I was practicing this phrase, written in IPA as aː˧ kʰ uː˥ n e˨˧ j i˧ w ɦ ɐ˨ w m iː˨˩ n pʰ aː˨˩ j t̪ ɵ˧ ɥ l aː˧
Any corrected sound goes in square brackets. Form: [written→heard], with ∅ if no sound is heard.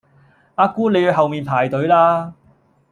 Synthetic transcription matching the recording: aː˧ [kʰ→k] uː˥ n e˨˧ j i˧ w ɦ ɐ˨ w m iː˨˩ n pʰ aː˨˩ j t̪ [ɵ˧→ɵ˨˥] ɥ l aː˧